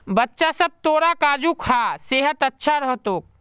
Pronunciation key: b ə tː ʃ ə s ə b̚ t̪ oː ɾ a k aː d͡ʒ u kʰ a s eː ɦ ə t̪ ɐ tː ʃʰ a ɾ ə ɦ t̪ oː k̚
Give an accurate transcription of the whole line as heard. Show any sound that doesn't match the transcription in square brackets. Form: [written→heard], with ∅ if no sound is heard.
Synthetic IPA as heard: b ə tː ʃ [ə→a] s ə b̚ t̪ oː ɾ a k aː d͡ʒ u kʰ a s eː ɦ ə t̪ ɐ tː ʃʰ a ɾ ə ɦ t̪ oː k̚